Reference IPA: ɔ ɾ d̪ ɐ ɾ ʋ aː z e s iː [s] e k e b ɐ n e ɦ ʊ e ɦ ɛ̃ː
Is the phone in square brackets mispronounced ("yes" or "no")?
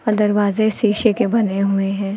yes